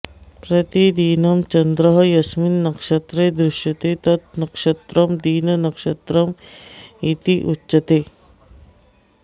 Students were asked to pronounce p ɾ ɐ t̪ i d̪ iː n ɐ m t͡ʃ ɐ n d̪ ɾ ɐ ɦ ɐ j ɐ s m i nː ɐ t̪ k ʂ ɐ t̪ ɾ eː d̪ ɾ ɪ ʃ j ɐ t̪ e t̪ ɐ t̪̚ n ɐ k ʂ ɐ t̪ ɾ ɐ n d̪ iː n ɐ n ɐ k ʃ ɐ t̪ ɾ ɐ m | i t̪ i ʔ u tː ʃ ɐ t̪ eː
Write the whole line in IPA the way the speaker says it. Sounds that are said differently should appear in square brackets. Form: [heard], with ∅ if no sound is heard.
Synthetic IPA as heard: p ɾ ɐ t̪ i d̪ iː n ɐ m t͡ʃ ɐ n d̪ ɾ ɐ ɦ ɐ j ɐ s m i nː ɐ [∅] k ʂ ɐ t̪ ɾ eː d̪ ɾ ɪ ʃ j ɐ t̪ e t̪ ɐ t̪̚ n ɐ k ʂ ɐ t̪ ɾ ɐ [m] d̪ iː n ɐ n ɐ k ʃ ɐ t̪ ɾ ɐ m | i t̪ i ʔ u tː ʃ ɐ t̪ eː